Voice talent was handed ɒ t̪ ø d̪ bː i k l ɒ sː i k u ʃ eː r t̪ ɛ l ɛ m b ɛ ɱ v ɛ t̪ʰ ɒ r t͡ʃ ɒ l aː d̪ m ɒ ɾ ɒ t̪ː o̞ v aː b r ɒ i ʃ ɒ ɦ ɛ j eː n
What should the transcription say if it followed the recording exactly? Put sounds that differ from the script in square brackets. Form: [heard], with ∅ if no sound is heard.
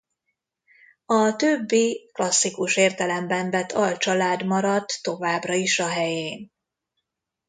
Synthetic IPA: ɒ t̪ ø [∅] bː i k l ɒ sː i k u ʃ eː r t̪ ɛ l ɛ m b ɛ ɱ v ɛ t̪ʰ ɒ [l] t͡ʃ ɒ l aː d̪ m ɒ ɾ ɒ t̪ː o̞ v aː b r ɒ i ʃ ɒ ɦ ɛ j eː n